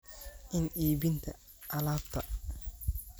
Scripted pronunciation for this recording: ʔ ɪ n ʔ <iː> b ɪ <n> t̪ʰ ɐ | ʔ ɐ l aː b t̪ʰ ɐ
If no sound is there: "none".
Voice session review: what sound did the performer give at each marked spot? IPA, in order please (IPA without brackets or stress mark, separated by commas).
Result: iː, n